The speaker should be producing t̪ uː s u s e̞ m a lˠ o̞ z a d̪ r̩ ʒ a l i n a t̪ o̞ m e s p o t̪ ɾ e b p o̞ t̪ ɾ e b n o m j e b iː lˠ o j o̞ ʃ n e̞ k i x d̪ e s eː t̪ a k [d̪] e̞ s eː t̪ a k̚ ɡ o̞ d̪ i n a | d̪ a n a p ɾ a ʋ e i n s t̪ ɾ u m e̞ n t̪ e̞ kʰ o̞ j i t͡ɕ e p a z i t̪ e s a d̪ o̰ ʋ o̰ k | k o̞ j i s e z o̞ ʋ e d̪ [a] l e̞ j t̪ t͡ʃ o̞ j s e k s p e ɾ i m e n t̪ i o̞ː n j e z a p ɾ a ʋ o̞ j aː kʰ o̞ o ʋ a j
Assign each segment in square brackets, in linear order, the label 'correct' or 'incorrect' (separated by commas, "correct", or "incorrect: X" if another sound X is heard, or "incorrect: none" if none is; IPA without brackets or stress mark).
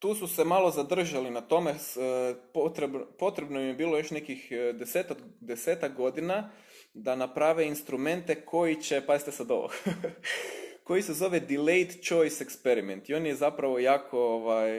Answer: correct, incorrect: i